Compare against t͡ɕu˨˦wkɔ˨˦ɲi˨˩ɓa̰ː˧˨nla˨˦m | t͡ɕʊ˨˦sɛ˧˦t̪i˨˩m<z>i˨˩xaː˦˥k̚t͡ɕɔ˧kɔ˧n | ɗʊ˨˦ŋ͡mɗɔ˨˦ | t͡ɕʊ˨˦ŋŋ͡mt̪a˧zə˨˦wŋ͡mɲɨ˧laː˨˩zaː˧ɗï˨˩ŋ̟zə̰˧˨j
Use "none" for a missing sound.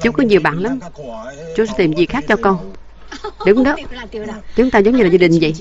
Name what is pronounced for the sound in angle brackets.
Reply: z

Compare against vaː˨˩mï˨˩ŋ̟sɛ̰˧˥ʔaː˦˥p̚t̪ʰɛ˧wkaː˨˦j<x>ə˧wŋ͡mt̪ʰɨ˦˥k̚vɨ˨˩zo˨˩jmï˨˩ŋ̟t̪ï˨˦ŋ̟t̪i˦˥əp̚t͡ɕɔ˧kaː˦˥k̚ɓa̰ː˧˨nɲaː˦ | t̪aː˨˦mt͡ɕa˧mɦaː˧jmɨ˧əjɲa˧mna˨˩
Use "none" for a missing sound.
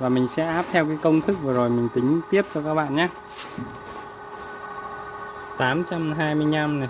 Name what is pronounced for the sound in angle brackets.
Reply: k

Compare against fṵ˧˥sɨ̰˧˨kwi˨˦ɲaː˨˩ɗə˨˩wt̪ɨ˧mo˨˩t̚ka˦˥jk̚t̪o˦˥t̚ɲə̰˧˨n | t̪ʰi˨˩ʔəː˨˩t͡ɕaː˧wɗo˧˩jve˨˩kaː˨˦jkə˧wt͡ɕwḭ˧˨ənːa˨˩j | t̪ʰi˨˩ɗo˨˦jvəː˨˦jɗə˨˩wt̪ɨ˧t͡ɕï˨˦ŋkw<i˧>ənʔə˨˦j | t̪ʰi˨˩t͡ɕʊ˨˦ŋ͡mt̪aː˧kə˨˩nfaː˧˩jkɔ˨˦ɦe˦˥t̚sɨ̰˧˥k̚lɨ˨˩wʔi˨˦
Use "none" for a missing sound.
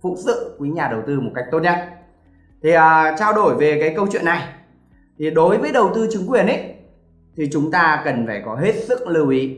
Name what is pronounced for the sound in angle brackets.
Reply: i˨˩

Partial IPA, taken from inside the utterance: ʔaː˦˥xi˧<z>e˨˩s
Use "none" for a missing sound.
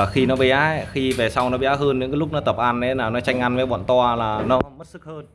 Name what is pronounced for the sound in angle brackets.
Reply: v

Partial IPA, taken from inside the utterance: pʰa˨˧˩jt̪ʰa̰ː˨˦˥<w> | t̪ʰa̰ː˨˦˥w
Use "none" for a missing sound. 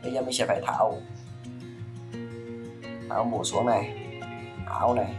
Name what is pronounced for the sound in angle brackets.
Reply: w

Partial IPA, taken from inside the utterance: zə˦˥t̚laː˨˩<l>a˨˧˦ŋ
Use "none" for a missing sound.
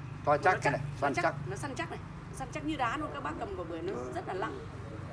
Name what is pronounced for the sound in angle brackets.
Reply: l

